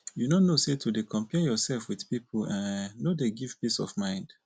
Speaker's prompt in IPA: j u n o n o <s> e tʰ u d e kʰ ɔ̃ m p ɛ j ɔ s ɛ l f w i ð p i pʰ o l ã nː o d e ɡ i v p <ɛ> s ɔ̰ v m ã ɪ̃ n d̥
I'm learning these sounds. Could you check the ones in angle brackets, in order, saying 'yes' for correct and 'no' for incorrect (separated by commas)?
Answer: yes, no